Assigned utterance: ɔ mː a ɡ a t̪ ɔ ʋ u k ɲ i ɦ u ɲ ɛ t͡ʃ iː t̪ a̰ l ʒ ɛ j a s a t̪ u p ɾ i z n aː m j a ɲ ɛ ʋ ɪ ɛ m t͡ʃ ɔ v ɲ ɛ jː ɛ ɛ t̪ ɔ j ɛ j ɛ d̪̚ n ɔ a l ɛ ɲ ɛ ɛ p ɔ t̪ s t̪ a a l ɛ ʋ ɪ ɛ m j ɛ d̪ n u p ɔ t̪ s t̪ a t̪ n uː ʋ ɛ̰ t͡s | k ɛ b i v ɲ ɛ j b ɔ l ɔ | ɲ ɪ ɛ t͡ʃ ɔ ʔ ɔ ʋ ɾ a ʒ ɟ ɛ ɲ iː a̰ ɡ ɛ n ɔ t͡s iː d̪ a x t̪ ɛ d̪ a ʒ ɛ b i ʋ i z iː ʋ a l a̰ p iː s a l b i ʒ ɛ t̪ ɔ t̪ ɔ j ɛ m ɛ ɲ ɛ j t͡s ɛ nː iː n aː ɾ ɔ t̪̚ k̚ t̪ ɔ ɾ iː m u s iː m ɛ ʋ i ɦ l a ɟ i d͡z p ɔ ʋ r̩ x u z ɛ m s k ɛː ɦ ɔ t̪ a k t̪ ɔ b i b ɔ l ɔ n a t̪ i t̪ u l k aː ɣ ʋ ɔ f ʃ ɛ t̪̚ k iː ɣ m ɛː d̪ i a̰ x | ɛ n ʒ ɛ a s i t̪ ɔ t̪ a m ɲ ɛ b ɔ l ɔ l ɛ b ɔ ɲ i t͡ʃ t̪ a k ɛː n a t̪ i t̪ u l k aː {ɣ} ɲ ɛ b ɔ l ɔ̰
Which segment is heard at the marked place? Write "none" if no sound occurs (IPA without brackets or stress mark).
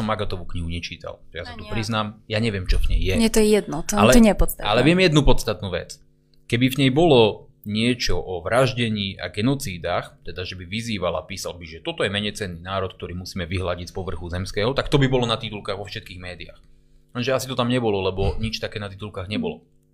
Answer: ɣ